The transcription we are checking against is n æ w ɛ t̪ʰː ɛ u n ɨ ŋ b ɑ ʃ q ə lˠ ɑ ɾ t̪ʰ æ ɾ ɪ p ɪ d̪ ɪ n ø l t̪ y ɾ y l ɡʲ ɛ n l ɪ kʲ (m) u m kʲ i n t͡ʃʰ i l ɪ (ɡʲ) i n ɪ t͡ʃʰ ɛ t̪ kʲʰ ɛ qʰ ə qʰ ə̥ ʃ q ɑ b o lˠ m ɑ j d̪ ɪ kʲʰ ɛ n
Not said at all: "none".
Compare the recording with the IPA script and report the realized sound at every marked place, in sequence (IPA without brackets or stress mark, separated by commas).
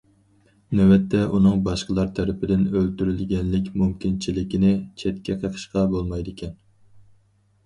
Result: m, kʲ